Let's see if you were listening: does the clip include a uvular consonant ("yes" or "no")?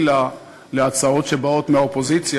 no